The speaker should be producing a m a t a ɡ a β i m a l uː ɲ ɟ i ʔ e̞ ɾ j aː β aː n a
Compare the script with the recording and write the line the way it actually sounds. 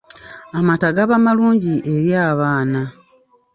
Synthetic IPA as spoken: a m a t a ɡ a β a m a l uː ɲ ɟ i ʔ e̞ ɾ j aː β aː n a